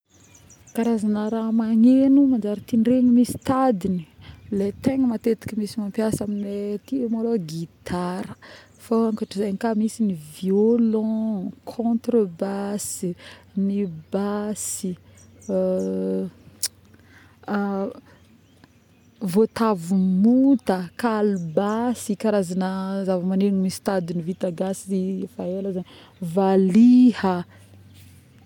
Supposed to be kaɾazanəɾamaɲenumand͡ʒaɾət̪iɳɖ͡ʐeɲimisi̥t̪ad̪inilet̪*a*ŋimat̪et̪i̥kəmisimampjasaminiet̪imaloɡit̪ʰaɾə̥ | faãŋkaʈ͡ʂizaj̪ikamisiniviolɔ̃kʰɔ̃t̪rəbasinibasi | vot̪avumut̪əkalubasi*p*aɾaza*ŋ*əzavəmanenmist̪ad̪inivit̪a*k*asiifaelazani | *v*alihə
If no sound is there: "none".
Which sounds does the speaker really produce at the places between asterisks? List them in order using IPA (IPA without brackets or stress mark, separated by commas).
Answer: e, k, n, ɡ, v